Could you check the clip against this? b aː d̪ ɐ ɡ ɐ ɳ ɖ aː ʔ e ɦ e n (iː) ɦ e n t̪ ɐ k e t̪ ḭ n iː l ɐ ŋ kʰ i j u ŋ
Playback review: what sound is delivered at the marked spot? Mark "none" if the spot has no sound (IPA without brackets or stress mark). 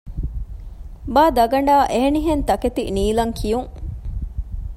i